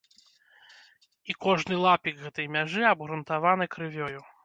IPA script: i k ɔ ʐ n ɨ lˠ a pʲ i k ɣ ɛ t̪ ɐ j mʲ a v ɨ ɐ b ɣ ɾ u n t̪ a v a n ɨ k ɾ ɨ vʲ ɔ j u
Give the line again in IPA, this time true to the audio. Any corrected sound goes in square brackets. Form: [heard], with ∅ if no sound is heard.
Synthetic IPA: i k ɔ ʐ n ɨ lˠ a pʲ i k ɣ ɛ t̪ ɐ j mʲ a [ʐ] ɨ ɐ b ɣ ɾ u n t̪ a v a n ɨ k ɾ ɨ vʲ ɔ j u

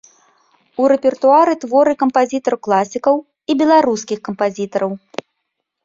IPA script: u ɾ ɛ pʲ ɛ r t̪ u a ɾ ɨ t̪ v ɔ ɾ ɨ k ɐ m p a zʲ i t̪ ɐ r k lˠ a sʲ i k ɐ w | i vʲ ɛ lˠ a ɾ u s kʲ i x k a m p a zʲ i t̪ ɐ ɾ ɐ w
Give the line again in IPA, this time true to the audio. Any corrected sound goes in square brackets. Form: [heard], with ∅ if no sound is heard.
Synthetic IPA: u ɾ ɛ pʲ ɛ r t̪ u a ɾ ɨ t̪ v ɔ ɾ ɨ k ɐ m p a zʲ i t̪ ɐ r k lˠ a sʲ i k ɐ w | i [bʲ] ɛ lˠ a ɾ u s kʲ i x k [ɐ] m p a zʲ i t̪ ɐ ɾ ɐ w

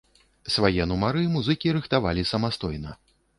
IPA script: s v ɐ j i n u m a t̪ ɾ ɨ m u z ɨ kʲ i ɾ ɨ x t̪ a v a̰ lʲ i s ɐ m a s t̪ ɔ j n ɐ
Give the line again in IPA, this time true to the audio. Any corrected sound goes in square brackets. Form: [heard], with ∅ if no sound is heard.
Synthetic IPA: s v [a] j [ɛ] n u m a [∅] ɾ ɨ m u z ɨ kʲ i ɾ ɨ x t̪ a v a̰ lʲ i s ɐ m a s t̪ ɔ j n ɐ

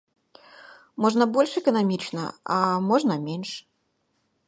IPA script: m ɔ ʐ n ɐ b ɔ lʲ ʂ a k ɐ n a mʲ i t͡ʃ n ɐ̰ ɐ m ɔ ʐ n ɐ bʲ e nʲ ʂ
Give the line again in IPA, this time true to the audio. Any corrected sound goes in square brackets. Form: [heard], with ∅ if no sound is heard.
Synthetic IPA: m ɔ ʐ n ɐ b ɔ lʲ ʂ [ɛ] k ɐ n a mʲ i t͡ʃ n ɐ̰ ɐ m ɔ ʐ n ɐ [mʲ] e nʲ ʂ

